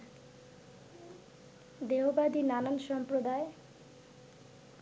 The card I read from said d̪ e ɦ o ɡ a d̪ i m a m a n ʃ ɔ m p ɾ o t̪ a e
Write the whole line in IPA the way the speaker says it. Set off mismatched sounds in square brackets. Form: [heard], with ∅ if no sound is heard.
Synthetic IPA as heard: d̪ e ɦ o [b] a d̪ i [n] a [n] a n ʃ ɔ m p ɾ o [d̪] a e